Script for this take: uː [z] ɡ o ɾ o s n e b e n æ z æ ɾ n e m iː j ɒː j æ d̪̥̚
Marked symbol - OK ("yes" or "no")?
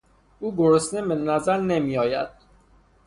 no